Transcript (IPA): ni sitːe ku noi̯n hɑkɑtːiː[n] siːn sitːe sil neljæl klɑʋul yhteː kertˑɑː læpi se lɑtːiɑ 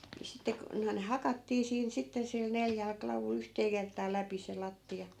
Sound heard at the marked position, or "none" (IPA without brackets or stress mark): none